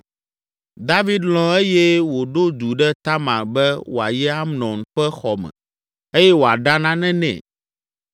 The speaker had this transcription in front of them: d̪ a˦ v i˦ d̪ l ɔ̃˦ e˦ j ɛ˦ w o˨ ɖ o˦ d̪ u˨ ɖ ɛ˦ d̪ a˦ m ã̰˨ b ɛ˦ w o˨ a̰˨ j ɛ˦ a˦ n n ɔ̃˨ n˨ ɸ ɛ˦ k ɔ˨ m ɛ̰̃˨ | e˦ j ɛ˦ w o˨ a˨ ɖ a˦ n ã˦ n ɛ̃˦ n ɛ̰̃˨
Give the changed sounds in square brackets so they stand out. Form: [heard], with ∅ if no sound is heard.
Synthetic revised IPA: d̪ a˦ v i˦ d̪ l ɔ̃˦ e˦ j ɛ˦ w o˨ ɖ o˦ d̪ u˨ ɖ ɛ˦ [t̪] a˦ m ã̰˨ b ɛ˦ w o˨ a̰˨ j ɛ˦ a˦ [m] n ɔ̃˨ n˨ ɸ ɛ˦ [x] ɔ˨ m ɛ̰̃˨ | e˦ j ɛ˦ w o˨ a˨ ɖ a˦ n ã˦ n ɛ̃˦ n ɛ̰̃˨